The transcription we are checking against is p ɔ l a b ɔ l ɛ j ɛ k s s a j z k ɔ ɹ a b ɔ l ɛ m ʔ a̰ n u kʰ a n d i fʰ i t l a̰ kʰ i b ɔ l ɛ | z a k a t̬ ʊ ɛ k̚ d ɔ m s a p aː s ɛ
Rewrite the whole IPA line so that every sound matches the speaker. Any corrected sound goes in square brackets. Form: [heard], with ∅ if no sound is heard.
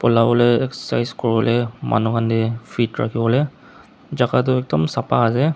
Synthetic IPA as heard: p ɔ l a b ɔ l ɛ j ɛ k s s a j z k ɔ ɹ [i] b ɔ l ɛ m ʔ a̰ n u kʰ a n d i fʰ i t [ɹ] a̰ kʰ i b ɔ l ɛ | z a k a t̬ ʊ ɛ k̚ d ɔ m s a p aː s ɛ